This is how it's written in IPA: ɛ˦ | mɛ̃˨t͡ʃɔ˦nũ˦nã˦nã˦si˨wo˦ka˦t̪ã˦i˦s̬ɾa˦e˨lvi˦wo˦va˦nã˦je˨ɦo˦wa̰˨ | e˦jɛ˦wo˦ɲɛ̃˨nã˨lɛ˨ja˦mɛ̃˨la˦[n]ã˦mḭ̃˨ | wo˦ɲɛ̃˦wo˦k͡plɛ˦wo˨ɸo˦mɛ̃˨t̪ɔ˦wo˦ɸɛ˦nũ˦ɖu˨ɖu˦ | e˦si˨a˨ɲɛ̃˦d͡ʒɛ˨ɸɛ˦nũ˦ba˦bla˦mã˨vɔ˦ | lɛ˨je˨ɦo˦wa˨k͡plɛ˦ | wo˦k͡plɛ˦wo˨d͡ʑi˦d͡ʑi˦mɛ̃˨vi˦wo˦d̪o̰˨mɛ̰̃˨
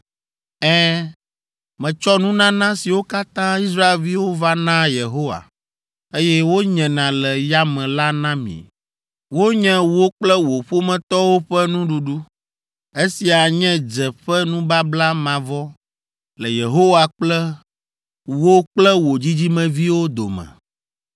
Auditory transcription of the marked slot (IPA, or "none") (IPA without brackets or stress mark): n